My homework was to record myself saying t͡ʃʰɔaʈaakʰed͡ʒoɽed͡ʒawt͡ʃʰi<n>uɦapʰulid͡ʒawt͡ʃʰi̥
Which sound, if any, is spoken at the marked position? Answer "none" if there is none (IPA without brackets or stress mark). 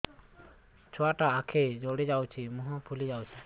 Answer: m